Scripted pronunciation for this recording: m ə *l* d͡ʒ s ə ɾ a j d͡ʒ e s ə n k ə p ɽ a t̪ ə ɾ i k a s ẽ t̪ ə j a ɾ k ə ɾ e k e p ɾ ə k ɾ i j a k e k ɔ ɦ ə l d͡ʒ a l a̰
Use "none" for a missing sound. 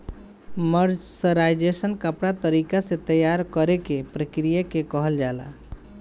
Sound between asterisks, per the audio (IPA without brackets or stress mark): ɾ